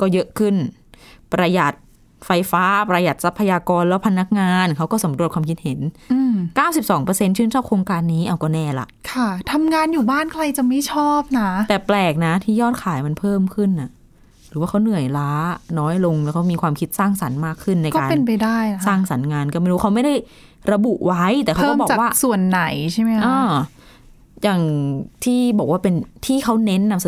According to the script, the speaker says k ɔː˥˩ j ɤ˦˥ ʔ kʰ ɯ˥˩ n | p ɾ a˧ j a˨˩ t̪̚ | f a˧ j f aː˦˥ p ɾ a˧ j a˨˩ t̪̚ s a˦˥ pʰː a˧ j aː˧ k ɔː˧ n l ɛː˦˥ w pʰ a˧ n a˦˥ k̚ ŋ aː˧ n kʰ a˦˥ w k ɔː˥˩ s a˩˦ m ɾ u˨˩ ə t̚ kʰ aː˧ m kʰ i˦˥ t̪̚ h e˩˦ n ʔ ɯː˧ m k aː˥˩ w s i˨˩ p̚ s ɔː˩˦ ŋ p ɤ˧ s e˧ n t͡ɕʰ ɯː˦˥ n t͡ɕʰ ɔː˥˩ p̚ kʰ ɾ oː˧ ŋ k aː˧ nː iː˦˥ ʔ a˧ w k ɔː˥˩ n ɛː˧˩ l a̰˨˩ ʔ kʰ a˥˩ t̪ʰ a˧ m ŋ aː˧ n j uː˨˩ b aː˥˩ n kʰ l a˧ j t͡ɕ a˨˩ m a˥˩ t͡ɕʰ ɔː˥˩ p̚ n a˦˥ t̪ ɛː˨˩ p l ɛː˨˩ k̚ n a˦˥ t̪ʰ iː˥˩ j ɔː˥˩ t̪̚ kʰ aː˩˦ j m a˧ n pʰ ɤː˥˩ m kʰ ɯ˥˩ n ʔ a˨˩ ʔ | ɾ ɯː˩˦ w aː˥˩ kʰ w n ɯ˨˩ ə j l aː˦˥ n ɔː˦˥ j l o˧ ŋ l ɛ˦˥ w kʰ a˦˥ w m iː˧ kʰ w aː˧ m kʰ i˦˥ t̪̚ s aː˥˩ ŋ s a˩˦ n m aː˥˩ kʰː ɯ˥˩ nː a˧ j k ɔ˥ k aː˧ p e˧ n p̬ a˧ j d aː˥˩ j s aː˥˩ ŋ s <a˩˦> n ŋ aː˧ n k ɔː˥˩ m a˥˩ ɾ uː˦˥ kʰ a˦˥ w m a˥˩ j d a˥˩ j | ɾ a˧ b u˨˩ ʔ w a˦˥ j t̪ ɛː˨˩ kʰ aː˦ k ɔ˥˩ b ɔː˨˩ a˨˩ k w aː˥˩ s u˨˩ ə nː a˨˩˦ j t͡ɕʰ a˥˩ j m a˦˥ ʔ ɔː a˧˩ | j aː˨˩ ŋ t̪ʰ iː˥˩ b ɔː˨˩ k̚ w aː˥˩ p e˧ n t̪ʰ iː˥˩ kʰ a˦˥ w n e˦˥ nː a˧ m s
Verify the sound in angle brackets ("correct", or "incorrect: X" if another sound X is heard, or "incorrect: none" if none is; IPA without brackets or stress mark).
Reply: correct